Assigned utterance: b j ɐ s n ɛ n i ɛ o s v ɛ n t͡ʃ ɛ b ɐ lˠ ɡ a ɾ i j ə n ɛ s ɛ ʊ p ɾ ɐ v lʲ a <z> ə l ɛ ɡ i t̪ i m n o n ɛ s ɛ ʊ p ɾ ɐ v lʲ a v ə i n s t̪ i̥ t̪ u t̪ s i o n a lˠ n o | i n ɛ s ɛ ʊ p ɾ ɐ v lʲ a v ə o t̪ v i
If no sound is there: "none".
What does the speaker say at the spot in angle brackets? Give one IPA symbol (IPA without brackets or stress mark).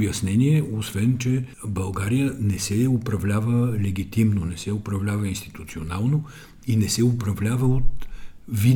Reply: v